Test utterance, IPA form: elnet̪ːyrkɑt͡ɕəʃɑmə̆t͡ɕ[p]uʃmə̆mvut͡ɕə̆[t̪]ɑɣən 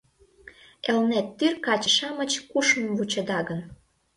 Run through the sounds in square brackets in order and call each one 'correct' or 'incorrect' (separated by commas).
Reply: incorrect, incorrect